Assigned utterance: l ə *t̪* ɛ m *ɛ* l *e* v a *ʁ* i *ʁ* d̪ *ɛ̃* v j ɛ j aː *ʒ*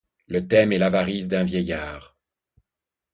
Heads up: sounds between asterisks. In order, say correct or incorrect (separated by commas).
correct, correct, incorrect, correct, incorrect, correct, incorrect